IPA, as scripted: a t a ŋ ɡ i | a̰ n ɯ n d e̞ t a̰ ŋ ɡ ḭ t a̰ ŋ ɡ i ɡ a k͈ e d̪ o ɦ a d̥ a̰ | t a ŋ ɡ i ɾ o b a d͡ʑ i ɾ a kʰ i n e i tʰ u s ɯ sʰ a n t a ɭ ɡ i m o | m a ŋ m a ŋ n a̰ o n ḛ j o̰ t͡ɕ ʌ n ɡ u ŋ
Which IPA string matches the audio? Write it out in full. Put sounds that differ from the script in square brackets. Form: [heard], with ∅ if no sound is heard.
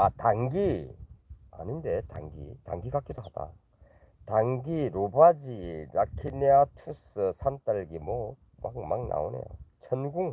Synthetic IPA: a t a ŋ ɡ i | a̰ n ɯ n d e̞ t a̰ ŋ ɡ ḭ t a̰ ŋ ɡ i ɡ a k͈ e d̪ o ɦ a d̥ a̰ | t a ŋ ɡ i ɾ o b a d͡ʑ i ɾ a kʰ i n e [a] tʰ u s ɯ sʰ a n t a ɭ ɡ i m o | m a ŋ m a ŋ n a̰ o n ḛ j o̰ [t͡ɕʰ] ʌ n ɡ u ŋ